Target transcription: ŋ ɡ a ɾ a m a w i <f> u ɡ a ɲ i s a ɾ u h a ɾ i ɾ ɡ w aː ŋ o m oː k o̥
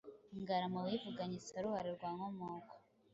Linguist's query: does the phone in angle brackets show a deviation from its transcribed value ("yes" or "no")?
yes